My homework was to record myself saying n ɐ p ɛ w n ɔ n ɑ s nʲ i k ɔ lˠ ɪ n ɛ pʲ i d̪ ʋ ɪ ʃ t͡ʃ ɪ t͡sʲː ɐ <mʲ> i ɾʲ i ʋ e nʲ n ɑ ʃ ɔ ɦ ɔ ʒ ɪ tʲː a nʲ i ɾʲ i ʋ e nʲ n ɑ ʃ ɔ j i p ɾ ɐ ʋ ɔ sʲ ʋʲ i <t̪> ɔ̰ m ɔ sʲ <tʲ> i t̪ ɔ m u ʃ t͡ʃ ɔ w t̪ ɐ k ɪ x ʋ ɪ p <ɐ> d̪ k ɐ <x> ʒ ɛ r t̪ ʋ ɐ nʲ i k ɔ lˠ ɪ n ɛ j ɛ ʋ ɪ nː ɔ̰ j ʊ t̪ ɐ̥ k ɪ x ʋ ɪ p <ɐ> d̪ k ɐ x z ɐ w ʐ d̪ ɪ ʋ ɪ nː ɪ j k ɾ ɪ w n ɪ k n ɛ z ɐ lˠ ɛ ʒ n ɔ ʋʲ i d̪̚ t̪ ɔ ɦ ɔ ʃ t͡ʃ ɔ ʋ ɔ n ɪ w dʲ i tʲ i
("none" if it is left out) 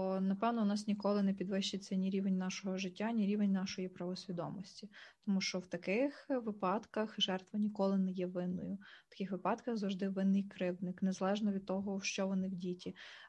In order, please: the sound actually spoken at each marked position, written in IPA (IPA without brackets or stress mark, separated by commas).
nʲ, d̪, tʲ, ɑ, x, ɑ